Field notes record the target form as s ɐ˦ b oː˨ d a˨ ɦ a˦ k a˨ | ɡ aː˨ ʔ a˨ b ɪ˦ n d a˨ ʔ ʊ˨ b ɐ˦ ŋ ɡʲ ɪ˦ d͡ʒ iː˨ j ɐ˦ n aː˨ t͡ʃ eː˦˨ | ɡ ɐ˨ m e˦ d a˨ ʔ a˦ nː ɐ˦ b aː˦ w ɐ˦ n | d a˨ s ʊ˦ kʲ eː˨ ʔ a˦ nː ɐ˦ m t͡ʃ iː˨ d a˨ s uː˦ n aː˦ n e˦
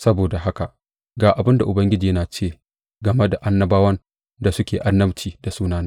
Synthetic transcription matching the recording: s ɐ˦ b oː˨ d a˨ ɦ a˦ k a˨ | ɡ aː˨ ʔ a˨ b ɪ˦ n d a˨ ʔ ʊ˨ b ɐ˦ ŋ ɡʲ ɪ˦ d͡ʒ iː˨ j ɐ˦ n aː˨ t͡ʃ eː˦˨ | ɡ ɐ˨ m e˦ d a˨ ʔ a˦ nː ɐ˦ b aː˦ w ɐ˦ n | d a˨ s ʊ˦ kʲ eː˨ ʔ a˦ nː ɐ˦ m t͡ʃ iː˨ d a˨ s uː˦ n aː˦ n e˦